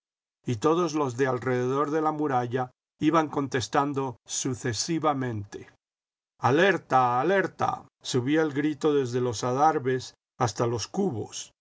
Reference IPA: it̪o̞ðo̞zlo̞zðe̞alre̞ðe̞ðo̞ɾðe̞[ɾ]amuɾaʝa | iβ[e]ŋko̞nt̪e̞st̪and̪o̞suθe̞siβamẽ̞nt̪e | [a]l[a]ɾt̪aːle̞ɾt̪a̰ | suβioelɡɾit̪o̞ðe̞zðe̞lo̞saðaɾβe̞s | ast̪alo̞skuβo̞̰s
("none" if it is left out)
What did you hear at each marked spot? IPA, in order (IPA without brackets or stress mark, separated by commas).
l, a, a, e